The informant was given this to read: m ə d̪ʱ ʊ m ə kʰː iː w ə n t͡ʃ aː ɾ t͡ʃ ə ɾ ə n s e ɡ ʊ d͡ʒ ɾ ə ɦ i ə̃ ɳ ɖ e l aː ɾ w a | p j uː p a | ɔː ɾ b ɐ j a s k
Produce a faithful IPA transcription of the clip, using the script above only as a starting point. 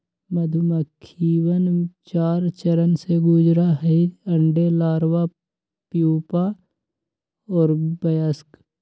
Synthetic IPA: m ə d̪ʱ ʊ m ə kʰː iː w ə n t͡ʃ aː ɾ t͡ʃ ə ɾ ə n s e ɡ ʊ d͡ʒ ɾ a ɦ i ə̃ ɳ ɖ e l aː ɾ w a | p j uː p a | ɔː ɾ b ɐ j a s k